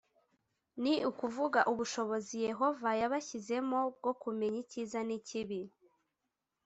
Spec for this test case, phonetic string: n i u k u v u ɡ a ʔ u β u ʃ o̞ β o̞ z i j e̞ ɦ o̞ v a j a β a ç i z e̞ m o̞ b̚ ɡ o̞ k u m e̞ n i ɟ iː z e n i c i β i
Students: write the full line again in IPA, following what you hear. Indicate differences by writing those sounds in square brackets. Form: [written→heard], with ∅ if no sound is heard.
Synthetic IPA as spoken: n i u k u v u ɡ a ʔ u β u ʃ o̞ β o̞ z i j e̞ ɦ o̞ v a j a β a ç i z e̞ m o̞ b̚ ɡ o̞ k u m e̞ [n→ɲ] i [ɟ→c] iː z [e→a] n i c i β i